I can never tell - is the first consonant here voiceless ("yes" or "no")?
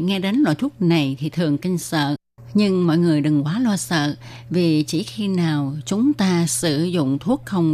no